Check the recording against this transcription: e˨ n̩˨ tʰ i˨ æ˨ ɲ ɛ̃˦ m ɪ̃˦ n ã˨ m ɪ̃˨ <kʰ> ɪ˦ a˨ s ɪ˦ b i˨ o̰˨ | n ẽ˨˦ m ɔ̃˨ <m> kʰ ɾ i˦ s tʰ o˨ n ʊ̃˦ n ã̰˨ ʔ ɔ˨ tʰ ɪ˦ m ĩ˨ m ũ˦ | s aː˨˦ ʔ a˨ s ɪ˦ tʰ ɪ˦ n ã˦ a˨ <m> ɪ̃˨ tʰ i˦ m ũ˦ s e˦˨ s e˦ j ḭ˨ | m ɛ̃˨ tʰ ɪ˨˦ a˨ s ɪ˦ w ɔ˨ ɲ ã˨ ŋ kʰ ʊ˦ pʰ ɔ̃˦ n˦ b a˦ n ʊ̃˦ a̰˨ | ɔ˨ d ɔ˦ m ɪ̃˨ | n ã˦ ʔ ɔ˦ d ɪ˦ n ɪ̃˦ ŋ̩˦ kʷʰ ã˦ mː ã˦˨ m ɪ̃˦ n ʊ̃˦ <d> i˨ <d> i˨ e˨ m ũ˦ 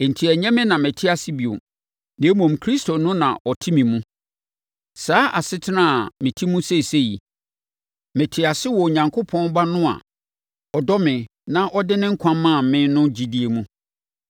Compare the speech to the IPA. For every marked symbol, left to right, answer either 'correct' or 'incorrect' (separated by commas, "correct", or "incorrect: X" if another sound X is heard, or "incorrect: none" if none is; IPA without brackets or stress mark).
incorrect: tʰ, correct, correct, incorrect: d͡ʑ, correct